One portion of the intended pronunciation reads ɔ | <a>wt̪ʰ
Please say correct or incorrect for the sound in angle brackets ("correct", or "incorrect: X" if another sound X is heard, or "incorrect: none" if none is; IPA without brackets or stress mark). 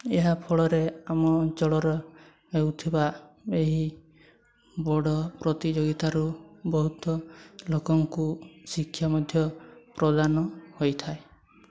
incorrect: e